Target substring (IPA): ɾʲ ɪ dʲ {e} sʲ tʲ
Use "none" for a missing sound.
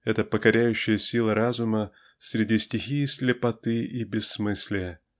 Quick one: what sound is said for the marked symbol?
i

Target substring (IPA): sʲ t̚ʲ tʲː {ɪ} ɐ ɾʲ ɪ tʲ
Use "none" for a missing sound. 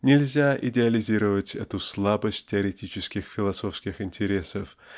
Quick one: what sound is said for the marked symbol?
ɪ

